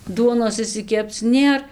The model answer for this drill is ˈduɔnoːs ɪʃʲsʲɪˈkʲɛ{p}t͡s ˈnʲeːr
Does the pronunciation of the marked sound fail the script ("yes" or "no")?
no